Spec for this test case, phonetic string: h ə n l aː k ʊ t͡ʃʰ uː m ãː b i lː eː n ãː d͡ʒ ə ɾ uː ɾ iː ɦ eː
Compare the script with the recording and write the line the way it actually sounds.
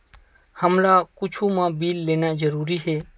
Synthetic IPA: h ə m l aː k ʊ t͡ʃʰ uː m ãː b iː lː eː n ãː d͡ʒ ə ɾ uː ɾ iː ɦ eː